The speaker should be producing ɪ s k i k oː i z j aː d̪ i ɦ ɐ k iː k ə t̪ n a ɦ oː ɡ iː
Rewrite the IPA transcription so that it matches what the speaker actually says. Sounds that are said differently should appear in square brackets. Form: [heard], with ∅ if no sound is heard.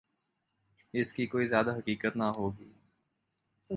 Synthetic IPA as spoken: ɪ s k i k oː i z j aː d̪ [a] ɦ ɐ k iː k ə t̪ n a ɦ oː ɡ iː